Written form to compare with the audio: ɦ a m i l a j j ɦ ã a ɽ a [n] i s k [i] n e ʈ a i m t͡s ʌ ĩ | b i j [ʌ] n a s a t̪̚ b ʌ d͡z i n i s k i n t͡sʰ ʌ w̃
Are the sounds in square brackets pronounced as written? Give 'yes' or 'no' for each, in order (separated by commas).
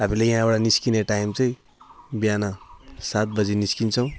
yes, yes, no